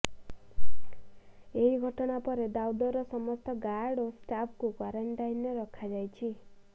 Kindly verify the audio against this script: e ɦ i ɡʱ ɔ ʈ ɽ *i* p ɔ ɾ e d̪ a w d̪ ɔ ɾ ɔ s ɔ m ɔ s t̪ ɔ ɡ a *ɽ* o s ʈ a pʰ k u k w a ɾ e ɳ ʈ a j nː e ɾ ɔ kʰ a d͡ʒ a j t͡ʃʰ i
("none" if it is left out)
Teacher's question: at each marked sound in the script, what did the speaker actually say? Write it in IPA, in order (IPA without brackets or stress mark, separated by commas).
a, ɽ